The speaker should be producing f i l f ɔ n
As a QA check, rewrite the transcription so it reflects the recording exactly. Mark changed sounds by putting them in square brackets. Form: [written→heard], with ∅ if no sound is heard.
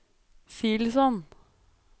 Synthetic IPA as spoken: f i l [f→s] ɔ n